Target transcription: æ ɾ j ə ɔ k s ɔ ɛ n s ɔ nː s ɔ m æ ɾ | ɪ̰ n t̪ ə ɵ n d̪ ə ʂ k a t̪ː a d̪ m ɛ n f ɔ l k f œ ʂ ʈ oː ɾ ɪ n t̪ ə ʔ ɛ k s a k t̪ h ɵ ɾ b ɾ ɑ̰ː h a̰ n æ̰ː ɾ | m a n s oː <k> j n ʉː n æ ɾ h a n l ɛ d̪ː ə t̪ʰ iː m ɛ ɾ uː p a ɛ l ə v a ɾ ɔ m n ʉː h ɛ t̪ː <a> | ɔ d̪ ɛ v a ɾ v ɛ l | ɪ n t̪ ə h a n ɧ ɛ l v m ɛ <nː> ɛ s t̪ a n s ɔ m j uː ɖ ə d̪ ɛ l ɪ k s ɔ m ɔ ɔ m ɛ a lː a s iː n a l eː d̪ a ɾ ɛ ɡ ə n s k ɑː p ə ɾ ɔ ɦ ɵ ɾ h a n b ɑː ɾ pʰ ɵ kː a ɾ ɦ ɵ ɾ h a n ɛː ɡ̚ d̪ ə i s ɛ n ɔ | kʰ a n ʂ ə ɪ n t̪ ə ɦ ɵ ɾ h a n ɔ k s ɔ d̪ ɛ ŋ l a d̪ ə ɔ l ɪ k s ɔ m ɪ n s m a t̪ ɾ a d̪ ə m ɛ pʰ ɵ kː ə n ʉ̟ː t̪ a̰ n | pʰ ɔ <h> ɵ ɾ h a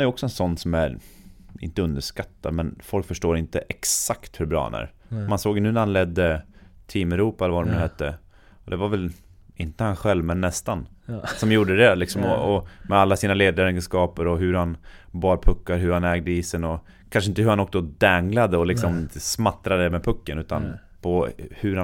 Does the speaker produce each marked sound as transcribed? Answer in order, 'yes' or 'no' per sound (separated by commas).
no, no, yes, yes